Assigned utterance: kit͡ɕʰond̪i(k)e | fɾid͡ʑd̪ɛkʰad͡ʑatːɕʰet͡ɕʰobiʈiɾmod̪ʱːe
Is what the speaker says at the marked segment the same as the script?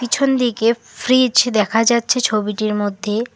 yes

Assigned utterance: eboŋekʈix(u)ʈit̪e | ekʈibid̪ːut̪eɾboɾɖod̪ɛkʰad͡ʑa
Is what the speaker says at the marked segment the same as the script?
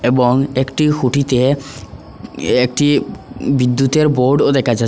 yes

